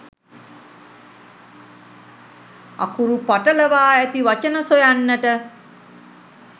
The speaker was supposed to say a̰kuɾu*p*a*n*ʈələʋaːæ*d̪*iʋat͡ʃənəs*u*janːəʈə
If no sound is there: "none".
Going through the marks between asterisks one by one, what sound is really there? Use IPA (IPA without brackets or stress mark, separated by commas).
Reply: p, none, t̪, o